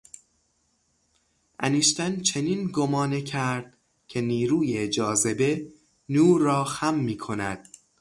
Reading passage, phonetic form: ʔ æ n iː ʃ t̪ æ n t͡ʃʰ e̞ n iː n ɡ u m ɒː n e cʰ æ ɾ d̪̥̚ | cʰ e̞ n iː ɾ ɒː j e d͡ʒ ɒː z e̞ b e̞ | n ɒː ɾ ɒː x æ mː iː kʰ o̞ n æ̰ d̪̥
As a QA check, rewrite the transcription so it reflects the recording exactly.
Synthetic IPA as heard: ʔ æ n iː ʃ t̪ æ n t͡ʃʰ e̞ n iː n ɡ o m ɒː n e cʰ æ ɾ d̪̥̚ | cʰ e̞ n iː ɾ uː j e d͡ʒ ɒː z e̞ b e̞ | n uː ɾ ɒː x æ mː iː kʰ o̞ n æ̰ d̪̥